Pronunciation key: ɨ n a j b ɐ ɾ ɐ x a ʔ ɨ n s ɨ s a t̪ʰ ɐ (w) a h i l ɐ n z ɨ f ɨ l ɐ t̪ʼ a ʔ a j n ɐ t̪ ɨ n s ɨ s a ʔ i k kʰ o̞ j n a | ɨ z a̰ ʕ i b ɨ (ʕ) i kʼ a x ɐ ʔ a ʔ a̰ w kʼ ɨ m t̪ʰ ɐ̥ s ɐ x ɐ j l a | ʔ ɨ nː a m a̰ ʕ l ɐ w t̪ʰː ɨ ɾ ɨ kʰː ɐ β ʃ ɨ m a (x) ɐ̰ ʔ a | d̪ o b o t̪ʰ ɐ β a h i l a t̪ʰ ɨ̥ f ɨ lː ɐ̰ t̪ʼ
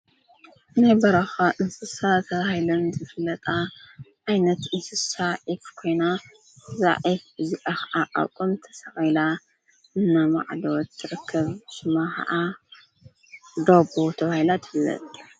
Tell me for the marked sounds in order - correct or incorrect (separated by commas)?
incorrect, incorrect, correct